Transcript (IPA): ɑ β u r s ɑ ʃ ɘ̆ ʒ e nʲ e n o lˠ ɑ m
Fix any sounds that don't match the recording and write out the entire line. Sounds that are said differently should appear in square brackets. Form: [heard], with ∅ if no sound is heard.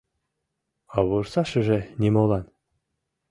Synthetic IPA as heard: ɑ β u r s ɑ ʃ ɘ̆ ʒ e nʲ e [m] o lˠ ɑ [n]